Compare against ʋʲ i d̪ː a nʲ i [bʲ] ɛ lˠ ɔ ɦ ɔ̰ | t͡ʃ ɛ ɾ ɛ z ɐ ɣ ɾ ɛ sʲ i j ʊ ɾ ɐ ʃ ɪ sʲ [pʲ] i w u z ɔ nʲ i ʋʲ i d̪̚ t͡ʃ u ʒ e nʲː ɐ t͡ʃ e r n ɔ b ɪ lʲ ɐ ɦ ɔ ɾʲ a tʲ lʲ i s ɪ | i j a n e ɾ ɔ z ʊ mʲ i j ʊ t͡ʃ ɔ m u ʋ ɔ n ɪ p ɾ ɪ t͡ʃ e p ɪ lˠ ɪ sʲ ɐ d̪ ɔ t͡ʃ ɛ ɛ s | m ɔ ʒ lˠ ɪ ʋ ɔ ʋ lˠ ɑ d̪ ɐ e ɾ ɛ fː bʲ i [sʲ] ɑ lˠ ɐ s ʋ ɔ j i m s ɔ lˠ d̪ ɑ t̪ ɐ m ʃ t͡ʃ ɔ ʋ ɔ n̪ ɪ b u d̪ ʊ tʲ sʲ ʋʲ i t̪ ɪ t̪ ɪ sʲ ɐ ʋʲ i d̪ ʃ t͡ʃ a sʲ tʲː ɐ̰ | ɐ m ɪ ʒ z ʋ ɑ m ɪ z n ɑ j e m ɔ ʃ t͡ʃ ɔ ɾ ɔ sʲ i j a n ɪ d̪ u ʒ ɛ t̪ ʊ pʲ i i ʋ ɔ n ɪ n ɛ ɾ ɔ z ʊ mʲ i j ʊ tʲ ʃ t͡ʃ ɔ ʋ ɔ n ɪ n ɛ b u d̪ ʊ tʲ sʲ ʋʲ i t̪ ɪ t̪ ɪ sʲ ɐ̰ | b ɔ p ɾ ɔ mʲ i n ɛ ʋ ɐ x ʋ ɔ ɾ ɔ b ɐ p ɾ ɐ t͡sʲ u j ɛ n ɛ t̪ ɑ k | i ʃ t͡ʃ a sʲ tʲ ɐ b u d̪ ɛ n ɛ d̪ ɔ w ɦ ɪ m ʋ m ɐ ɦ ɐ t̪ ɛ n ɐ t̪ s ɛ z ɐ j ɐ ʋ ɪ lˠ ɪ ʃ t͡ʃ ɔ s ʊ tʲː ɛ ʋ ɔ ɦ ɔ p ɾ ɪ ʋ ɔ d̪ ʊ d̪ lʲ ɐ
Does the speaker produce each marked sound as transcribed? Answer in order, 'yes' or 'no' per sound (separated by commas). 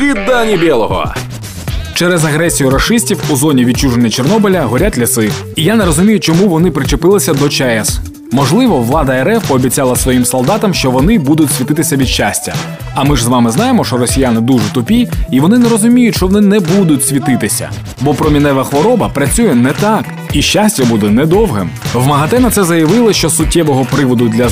yes, no, no